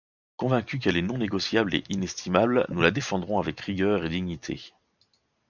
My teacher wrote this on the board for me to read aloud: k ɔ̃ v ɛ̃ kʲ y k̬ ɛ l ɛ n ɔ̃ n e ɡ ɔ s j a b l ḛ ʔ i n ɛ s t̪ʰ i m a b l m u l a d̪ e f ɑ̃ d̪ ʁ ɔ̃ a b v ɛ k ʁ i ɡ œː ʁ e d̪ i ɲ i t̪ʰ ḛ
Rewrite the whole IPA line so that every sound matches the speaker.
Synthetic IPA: k ɔ̃ v ɛ̃ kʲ y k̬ ɛ l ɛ n ɔ̃ n e ɡ ɔ s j a b l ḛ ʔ i n ɛ s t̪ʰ i m a b l n u l a d̪ e f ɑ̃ d̪ ʁ ɔ̃ a v ɛ k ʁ i ɡ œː ʁ e d̪ i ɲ i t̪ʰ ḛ